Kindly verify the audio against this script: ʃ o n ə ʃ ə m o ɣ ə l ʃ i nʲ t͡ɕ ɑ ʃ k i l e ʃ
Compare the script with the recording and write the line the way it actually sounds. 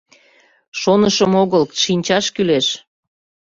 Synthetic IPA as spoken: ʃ o n ə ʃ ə m o ɣ ə l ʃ i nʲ t͡ɕ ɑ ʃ k y l e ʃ

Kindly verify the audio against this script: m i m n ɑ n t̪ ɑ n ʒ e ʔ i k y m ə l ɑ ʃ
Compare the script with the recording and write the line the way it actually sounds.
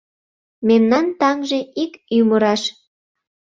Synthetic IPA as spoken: m e m n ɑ n t̪ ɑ ŋ ʒ e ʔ i k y m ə ɾ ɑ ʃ

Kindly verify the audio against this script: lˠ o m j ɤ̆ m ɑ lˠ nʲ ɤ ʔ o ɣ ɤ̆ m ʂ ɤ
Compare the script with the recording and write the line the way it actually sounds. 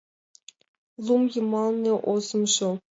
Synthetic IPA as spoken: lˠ u m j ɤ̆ m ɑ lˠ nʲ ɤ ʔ o z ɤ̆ m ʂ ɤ

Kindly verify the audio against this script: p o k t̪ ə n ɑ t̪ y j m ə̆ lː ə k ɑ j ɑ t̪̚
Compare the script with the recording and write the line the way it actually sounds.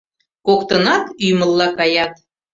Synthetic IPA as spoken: k o k t̪ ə n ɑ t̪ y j m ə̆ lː ɑ k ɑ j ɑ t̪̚

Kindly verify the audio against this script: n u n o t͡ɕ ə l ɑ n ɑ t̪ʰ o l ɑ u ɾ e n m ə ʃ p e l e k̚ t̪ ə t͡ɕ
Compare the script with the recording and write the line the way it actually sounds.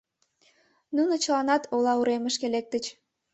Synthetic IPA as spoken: n u n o t͡ɕ ə l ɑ n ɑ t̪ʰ o l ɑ u ɾ e m ə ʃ k e l e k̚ t̪ ə t͡ɕ

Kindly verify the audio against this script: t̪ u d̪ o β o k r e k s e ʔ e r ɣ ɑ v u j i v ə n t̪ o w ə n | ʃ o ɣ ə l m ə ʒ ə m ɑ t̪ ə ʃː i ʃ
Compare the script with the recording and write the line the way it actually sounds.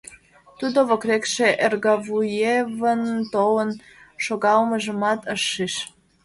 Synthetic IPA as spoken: t̪ u d̪ o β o k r e k ʃ e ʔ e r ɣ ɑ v u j e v ə n t̪ o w ə n | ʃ o ɣ ɑ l m ə ʒ ə m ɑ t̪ ə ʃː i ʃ

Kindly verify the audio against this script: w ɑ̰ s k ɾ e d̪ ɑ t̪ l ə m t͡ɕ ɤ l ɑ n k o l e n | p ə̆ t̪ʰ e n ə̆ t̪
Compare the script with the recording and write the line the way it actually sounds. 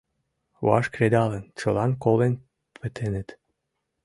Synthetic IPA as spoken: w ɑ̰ ʃ k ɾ e d̪ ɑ l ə n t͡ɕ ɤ l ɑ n k o l e n | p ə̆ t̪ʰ e n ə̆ t̪

